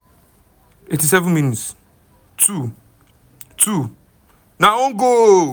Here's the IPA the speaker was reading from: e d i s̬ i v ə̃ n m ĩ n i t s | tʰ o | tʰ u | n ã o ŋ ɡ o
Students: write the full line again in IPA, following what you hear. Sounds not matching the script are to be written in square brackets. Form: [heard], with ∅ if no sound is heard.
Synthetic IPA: e [t] i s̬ [ɛ] v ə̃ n m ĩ n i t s | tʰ [u] | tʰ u | n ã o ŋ ɡ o